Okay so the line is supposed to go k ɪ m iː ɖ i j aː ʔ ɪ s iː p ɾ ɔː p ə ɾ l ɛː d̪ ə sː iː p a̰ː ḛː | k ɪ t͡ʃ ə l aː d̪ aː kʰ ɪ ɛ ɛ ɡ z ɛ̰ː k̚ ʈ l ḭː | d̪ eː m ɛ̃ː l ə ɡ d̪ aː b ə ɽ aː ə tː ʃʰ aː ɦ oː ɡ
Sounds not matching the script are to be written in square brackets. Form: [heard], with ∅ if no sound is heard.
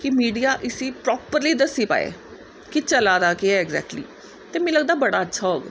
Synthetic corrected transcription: k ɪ m iː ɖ i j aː ʔ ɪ s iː p ɾ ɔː p ə ɾ l [iː] d̪ ə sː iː p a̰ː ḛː | k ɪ t͡ʃ ə l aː d̪ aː [k] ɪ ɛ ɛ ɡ z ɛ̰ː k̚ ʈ l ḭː | [t̪] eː m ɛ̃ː l ə ɡ d̪ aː b ə ɽ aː ə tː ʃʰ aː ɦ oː ɡ